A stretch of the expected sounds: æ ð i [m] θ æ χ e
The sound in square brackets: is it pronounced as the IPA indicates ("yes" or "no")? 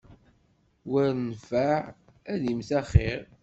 yes